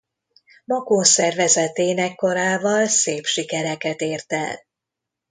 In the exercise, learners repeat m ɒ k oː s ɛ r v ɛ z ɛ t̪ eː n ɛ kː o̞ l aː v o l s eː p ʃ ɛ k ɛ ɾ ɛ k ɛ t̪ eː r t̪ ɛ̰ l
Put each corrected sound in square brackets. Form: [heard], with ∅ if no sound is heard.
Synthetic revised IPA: m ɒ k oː s ɛ r v ɛ z ɛ t̪ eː n ɛ kː o̞ [ɾ] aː v [ɒ] l s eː p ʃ [i] k ɛ ɾ ɛ k ɛ t̪ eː r t̪ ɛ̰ l